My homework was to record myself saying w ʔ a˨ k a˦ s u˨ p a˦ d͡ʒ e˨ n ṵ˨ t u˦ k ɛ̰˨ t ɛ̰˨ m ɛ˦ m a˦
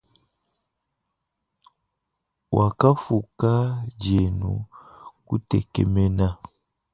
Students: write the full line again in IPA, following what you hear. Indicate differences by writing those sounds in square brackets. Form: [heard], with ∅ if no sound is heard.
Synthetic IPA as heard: w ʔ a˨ k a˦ [f] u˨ [k] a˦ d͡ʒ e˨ n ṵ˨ [k] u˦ [t] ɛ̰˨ [k] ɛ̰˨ m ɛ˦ [n] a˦